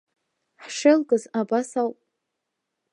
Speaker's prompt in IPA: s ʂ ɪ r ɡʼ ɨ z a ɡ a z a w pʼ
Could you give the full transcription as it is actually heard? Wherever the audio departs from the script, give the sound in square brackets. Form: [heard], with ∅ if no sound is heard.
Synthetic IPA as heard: [ħ] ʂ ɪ [l] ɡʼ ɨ z a [b] a [s] a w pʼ